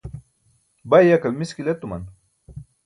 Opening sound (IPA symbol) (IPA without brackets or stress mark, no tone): b